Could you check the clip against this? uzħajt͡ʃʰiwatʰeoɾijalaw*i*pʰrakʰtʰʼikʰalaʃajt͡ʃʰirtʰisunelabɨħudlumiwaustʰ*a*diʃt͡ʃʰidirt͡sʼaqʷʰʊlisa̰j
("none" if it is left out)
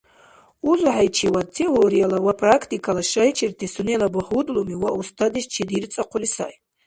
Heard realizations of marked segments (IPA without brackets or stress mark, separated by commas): a, a